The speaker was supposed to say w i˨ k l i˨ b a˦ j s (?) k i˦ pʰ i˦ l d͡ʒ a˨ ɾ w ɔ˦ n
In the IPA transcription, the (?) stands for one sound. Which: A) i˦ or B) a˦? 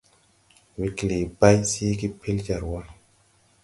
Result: A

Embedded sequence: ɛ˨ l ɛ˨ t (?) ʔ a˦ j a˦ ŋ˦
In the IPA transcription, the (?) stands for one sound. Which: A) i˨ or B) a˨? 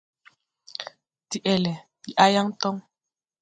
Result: A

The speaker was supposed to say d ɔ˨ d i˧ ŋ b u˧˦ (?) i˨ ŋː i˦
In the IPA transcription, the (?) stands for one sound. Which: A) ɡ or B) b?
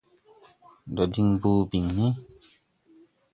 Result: B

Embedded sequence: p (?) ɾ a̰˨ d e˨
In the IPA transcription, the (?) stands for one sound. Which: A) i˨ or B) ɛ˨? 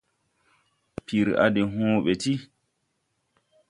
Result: A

